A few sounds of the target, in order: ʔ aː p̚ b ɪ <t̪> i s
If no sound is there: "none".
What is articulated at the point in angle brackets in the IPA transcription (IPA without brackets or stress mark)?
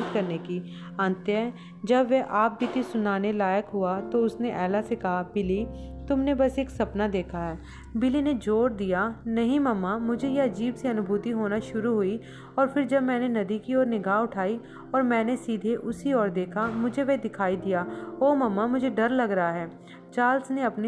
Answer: t̪